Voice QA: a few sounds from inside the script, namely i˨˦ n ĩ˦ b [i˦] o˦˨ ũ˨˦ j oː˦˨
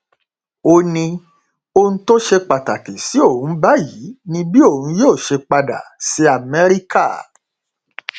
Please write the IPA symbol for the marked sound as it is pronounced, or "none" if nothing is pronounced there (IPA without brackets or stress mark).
i˦